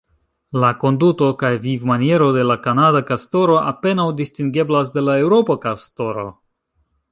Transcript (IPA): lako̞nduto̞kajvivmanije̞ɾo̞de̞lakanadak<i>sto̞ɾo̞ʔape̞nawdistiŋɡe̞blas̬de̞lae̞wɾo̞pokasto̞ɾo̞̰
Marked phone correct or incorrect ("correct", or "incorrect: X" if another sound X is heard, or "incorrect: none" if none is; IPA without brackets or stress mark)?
incorrect: a